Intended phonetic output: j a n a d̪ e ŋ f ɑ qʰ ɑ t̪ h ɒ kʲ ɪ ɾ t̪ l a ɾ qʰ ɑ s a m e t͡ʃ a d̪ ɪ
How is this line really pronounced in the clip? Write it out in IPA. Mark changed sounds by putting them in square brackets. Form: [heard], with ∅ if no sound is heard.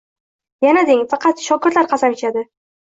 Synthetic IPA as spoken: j a n a d̪ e ŋ f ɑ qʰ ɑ t̪ [ʃ] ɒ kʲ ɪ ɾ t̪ l a ɾ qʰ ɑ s a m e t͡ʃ a d̪ ɪ